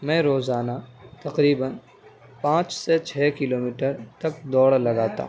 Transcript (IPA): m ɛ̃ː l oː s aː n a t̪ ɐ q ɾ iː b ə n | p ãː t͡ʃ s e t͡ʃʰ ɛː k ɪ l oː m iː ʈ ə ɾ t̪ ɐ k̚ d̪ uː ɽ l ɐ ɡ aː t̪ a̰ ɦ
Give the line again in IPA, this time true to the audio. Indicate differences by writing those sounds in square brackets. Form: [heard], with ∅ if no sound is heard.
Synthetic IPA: m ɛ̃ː [ɾ] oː [z] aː n a t̪ ɐ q ɾ iː b ə n | p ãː t͡ʃ s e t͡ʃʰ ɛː k ɪ l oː m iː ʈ ə ɾ t̪ ɐ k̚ d̪ [ɔː] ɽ l ɐ ɡ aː t̪ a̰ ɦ